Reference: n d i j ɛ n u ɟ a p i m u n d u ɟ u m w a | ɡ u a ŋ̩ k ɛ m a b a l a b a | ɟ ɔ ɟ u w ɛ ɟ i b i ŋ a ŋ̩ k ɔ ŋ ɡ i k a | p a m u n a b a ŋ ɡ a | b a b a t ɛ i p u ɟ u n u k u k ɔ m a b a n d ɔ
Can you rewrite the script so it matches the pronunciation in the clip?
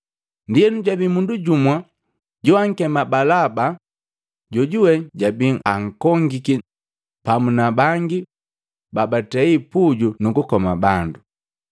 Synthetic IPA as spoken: n d i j ɛ n u ɟ a b i m u n d u ɟ u m w a | ɟ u a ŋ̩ k ɛ m a b a l a b a | ɟ ɔ ɟ u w ɛ ɟ a b i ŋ a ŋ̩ k ɔ ŋ ɡ i k i | p a m u n a b a ŋ ɡ i | b a b a t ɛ i p u ɟ u n u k u k ɔ m a b a n d u